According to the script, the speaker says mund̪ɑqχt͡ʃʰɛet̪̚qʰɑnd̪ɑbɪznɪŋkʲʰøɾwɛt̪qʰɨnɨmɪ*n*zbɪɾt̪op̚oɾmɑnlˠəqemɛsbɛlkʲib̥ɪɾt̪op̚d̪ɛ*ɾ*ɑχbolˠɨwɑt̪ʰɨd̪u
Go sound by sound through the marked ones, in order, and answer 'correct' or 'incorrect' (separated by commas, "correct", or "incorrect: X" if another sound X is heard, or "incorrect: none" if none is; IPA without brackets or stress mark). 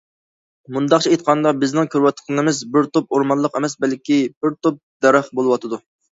incorrect: none, correct